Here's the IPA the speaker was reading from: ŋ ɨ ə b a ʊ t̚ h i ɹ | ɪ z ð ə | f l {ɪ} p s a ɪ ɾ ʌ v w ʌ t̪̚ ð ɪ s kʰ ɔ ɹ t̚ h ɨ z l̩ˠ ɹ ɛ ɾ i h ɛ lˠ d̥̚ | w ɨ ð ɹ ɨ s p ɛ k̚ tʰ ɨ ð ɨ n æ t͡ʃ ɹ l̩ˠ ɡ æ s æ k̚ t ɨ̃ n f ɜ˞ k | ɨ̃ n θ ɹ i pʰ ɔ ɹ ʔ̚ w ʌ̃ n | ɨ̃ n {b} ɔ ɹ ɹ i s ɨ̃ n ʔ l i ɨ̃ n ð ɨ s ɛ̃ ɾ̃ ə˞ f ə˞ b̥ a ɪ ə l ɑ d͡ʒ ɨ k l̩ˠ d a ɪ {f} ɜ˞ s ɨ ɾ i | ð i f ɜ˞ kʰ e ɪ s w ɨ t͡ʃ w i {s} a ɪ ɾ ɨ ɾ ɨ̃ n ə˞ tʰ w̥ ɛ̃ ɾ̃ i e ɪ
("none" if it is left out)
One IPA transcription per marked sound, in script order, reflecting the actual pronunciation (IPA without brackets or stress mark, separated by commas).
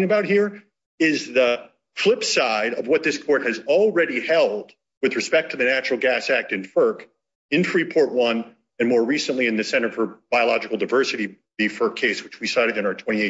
ɪ, m, v, s